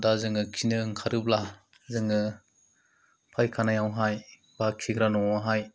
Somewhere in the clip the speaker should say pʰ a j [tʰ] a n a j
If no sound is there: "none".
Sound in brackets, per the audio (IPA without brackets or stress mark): kʰ